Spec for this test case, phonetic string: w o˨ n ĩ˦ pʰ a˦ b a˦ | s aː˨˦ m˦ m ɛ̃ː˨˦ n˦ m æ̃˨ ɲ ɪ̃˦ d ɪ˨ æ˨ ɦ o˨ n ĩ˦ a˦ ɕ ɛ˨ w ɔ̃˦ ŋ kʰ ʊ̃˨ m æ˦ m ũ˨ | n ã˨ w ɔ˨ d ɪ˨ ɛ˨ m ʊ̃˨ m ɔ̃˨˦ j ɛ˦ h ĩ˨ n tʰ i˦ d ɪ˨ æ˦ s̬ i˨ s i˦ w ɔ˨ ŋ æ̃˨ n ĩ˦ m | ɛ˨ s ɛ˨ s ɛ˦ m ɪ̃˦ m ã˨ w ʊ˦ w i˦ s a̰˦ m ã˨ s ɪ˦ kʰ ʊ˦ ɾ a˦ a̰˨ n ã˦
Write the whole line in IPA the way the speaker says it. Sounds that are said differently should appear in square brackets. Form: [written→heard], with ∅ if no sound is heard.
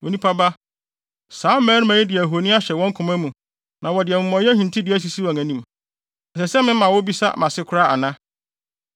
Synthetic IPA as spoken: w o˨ n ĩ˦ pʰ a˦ b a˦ | s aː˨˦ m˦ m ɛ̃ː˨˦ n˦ m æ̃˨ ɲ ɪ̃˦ d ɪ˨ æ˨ ɦ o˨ n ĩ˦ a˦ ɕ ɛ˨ w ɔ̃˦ ŋ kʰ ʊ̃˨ m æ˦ m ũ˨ | n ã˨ w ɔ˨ d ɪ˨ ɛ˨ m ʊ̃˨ m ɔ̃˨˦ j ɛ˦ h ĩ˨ n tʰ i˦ d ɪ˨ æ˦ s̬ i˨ s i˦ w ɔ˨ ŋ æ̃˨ n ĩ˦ m | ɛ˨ s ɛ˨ s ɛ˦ m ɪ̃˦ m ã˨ w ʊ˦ [w→b] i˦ s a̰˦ m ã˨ s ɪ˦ kʰ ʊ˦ ɾ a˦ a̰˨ n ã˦